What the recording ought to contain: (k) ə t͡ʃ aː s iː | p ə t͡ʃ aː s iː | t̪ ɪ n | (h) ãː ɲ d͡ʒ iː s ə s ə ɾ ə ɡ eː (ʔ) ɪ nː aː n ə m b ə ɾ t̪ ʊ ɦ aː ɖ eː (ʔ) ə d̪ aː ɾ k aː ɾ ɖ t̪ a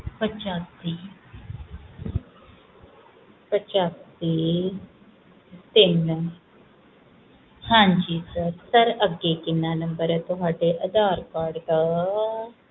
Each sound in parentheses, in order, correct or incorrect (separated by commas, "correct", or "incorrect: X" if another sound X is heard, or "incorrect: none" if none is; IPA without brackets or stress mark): incorrect: p, correct, incorrect: k, correct